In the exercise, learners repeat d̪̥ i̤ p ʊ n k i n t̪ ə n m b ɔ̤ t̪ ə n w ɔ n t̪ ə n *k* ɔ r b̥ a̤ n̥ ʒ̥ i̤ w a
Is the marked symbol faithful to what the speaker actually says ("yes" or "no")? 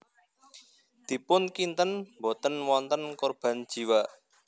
yes